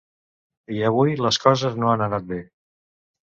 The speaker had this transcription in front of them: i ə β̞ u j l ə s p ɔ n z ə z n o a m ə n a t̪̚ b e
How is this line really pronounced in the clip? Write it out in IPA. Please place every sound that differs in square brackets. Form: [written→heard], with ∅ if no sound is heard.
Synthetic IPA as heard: i ə β̞ u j l ə s [p→k] ɔ [n→∅] z ə z n o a [m→n] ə n a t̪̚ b e